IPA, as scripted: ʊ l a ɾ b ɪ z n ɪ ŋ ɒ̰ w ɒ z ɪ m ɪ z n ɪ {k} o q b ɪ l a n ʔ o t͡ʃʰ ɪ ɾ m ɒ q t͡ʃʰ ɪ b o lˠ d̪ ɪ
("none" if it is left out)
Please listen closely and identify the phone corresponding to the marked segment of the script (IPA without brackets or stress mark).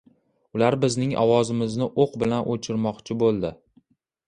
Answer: ʔ